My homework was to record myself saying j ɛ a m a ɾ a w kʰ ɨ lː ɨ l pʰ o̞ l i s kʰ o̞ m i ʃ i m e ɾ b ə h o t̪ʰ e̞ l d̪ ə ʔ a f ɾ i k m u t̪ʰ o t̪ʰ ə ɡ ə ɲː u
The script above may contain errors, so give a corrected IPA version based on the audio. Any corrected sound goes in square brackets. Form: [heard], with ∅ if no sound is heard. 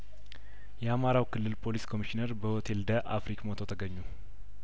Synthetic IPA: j ɛ a m a ɾ a w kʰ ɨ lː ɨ l pʰ o̞ l i s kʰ o̞ m i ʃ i [n] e ɾ b ə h o t̪ʰ e̞ l d̪ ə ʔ a f ɾ i k m [o] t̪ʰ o t̪ʰ ə ɡ ə ɲː u